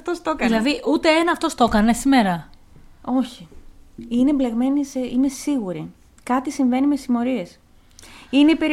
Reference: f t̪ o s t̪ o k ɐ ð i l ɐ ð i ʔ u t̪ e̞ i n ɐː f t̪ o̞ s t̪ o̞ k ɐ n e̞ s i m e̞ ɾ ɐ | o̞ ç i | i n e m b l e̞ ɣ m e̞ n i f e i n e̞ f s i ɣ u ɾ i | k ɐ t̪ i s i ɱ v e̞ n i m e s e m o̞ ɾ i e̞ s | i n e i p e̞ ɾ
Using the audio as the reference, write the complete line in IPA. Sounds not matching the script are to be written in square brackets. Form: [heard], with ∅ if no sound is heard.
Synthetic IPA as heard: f t̪ o s t̪ o k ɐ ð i l ɐ ð i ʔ u t̪ e̞ [e] n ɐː f t̪ o̞ s t̪ o̞ k ɐ n e̞ s i m e̞ ɾ ɐ | o̞ ç i | i n e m b l e̞ ɣ m e̞ n i [s] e i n e̞ [∅] s i ɣ u ɾ i | k ɐ t̪ i s i ɱ v e̞ n i m e s [i] m o̞ ɾ i e̞ s | i n e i p e̞ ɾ